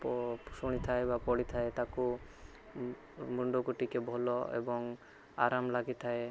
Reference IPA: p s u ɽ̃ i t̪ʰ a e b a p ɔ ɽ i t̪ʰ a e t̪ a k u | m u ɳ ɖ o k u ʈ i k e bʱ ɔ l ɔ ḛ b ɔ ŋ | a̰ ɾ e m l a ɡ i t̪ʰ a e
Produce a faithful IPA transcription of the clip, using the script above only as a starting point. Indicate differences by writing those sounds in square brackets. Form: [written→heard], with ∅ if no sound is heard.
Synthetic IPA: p s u ɽ̃ i t̪ʰ a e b a p ɔ ɽ i t̪ʰ a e t̪ a k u | m u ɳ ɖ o k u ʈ i k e bʱ ɔ l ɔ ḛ b ɔ ŋ | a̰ ɾ [e→a] m l a ɡ i t̪ʰ a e